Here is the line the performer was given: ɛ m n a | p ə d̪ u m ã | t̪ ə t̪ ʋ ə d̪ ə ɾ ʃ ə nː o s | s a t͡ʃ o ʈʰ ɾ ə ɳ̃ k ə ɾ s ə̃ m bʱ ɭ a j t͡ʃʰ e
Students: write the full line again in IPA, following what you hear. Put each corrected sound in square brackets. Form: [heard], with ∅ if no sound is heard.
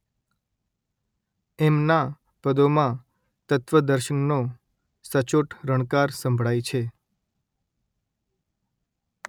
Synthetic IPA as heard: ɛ m n a | p ə d̪ [o] m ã | t̪ ə t̪ ʋ ə d̪ ə ɾ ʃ ə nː o [∅] | s [ə] t͡ʃ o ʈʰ ɾ ə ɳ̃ k [a] ɾ s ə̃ m bʱ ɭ a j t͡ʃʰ e